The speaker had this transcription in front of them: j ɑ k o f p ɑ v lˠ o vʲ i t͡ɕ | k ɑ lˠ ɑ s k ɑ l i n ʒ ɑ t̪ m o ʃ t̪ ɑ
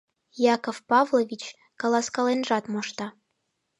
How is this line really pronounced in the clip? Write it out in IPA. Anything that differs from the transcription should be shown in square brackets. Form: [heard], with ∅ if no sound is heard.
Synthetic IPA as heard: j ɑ k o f p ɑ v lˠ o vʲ i t͡ɕ | k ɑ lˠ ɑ s k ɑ l [e] n ʒ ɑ t̪ m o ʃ t̪ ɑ